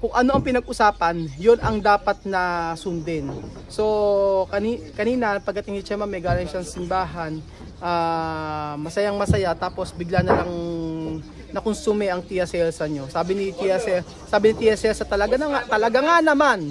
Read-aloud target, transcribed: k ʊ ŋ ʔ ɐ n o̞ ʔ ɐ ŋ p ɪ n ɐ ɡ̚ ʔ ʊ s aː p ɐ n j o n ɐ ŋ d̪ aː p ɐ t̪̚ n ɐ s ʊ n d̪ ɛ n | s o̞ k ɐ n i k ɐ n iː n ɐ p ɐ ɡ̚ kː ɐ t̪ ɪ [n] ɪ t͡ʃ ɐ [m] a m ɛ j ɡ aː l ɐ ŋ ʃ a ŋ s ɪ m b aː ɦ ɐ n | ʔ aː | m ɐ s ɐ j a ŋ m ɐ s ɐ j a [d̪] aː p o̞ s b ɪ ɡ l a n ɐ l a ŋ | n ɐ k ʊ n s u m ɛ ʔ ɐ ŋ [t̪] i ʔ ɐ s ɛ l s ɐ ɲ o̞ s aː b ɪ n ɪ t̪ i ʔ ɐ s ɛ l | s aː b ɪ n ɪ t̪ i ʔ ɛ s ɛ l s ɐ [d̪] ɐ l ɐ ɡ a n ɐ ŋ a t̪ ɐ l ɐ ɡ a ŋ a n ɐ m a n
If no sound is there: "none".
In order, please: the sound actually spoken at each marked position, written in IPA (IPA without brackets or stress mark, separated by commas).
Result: ŋ, m, t̪, t̪, t̪